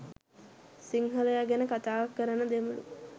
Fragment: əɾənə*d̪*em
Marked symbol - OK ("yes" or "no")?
yes